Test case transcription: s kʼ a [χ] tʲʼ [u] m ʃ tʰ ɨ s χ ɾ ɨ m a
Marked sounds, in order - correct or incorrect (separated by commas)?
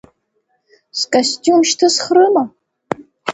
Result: incorrect, correct